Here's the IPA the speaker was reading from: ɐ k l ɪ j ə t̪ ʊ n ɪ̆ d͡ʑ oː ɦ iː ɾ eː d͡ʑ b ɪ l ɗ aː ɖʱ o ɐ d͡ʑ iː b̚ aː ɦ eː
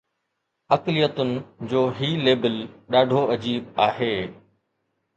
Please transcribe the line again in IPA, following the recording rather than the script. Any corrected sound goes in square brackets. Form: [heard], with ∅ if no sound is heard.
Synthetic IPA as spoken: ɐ k l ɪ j ə t̪ ʊ n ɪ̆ d͡ʑ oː ɦ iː [l] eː [∅] b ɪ l ɗ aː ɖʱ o ɐ d͡ʑ iː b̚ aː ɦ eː